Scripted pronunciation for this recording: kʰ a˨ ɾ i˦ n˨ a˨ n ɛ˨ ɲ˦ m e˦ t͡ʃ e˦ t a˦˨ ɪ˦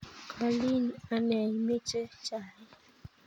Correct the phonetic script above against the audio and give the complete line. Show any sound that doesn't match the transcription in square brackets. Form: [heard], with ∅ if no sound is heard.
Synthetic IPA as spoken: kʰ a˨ [l] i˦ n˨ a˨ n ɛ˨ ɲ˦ m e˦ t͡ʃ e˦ [t͡ʃ] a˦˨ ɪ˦